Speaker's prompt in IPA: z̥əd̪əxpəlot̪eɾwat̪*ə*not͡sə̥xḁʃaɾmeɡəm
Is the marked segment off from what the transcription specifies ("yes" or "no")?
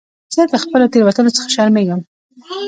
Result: no